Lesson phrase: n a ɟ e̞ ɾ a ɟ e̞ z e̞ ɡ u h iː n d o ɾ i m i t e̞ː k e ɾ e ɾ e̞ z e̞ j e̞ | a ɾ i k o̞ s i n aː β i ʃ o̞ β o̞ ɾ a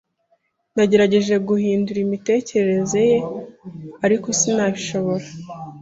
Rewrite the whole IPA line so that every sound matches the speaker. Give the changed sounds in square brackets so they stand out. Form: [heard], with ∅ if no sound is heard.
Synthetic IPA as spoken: n a ɟ e̞ ɾ a ɟ e̞ [ʒ] e̞ ɡ u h iː n d [u] ɾ i m i t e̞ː [c] e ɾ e ɾ e̞ z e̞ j e̞ | a ɾ i k o̞ s i n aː β i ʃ o̞ β o̞ ɾ a